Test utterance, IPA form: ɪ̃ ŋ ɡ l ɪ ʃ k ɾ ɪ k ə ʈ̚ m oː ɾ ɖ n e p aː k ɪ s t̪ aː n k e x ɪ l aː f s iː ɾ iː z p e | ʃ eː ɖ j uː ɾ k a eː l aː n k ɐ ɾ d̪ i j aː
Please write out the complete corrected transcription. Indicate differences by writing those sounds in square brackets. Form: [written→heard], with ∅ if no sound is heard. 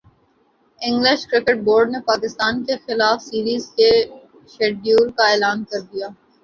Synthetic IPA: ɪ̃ ŋ ɡ l ɪ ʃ k ɾ ɪ k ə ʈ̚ [m→b] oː ɾ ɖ n e p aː k ɪ s t̪ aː n k e x ɪ l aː f s iː ɾ iː z [p→k] e | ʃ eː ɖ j uː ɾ k a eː l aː n k ɐ ɾ d̪ i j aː